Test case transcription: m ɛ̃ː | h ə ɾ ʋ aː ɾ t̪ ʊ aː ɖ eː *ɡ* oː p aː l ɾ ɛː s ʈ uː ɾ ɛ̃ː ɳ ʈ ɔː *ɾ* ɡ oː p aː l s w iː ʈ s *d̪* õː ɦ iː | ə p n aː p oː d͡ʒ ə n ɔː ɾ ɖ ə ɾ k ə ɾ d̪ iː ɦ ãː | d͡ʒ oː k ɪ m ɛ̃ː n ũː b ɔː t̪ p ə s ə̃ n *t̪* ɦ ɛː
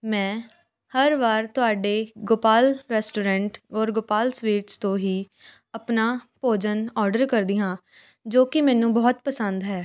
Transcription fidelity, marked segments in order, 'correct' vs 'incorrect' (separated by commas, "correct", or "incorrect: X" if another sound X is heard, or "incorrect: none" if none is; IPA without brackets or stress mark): correct, correct, incorrect: t̪, incorrect: d̪